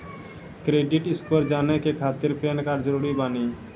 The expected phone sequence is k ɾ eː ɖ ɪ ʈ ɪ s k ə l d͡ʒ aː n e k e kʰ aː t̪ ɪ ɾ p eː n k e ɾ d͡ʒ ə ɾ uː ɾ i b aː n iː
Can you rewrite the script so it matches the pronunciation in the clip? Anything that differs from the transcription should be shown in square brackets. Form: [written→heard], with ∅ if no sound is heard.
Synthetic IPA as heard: k ɾ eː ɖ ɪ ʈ ɪ s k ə [l→ɾ] d͡ʒ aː n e k e kʰ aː t̪ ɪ ɾ p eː n k [e→a] ɾ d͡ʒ ə ɾ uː ɾ i b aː n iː